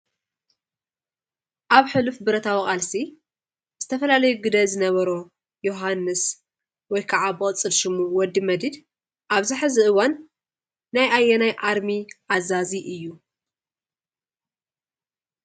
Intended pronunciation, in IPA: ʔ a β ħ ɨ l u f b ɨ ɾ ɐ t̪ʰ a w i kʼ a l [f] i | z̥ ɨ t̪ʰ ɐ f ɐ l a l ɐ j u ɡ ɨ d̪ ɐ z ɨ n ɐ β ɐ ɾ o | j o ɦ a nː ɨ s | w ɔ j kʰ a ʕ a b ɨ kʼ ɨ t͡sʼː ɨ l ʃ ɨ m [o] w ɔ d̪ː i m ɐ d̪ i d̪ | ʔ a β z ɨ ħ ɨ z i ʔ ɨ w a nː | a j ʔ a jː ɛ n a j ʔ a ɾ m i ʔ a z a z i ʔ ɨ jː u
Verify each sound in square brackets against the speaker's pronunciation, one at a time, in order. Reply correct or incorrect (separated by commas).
incorrect, incorrect